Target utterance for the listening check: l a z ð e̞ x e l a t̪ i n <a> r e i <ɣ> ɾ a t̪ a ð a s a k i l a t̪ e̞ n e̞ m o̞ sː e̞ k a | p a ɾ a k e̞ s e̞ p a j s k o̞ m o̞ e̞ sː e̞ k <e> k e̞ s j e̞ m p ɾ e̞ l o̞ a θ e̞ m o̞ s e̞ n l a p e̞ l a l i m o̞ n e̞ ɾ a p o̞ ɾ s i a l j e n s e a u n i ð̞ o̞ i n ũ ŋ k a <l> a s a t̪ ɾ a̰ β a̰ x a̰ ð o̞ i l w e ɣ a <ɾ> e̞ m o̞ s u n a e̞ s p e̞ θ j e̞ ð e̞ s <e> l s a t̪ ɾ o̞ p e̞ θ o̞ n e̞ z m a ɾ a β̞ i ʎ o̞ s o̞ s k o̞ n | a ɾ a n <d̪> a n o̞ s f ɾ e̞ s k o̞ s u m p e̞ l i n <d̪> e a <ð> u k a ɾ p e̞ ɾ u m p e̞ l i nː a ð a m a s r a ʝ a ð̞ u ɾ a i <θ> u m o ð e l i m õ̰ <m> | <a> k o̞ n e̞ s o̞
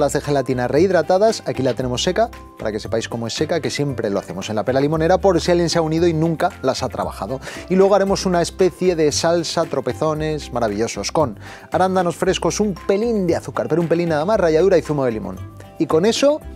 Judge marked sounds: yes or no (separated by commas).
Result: yes, no, no, yes, yes, no, yes, yes, no, yes, no, no